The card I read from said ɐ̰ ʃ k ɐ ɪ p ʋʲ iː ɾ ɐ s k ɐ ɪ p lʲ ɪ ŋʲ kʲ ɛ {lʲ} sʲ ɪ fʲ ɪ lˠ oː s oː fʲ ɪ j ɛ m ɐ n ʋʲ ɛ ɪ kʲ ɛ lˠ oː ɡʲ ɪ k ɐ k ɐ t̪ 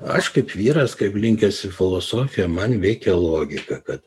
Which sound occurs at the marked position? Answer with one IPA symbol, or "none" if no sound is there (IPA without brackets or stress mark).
none